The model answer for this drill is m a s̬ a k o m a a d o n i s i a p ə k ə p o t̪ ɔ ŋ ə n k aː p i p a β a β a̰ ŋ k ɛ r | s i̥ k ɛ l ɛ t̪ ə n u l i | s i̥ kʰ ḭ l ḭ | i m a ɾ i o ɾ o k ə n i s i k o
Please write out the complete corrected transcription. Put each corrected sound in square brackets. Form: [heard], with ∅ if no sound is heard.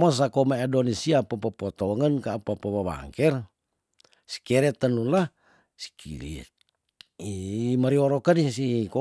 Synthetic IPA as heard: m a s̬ a k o m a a d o n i s i a p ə [p] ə p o t̪ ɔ ŋ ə n k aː p [a] p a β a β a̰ ŋ k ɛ r | s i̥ k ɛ [ɾ] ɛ t̪ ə n u l [a] | s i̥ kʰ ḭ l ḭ | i m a ɾ i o ɾ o k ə n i s i k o